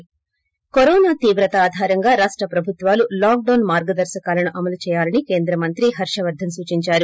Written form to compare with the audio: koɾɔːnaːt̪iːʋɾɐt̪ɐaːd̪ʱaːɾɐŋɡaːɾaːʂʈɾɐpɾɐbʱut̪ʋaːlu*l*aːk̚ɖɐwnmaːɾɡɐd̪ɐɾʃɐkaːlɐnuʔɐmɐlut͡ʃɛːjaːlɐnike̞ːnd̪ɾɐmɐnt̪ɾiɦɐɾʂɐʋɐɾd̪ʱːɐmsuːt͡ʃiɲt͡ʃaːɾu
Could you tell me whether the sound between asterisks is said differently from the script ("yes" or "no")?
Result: no